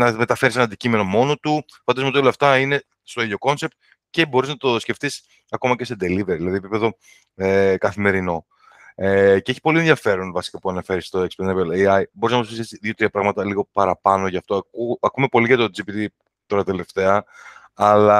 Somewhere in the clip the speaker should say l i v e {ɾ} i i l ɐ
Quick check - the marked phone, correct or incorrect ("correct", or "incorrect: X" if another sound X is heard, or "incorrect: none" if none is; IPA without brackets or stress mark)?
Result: correct